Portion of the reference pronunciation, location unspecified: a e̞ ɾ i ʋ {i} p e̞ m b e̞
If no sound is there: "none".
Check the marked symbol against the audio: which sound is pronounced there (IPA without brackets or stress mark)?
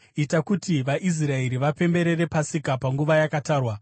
a